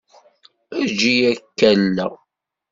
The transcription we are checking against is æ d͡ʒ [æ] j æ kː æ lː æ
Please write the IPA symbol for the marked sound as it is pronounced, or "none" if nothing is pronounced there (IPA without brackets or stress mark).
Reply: i